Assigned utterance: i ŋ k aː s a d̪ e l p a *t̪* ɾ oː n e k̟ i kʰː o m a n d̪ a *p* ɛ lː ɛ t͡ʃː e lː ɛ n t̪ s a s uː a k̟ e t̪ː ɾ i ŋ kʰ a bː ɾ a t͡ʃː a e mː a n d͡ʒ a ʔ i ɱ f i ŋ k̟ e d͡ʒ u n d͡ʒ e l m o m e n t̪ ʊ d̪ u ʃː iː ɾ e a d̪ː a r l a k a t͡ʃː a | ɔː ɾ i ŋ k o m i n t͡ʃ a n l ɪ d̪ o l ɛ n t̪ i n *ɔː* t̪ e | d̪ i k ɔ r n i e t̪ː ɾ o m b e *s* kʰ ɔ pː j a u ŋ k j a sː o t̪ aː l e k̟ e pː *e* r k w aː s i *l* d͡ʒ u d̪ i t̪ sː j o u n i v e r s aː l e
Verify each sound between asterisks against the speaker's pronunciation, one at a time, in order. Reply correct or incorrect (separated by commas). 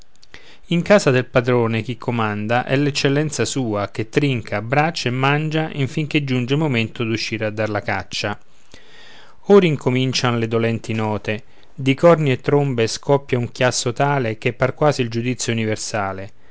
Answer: incorrect, incorrect, correct, correct, incorrect, correct